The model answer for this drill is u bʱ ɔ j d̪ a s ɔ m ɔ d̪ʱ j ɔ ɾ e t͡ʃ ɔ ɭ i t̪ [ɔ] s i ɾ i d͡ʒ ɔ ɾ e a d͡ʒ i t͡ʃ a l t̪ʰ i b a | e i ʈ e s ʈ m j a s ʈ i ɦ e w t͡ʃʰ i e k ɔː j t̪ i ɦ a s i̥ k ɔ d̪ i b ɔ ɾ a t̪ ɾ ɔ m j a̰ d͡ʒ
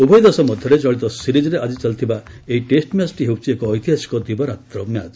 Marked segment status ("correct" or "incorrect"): correct